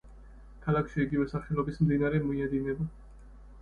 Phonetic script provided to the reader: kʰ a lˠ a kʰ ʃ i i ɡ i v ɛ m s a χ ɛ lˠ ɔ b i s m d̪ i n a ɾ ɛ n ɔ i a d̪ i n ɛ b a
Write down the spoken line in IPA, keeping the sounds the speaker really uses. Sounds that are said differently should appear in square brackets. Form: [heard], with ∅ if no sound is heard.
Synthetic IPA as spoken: kʰ a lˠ a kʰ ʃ i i ɡ i v ɛ [∅] s a χ ɛ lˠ ɔ b i s m d̪ i n a ɾ ɛ [m] ɔ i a d̪ i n ɛ b a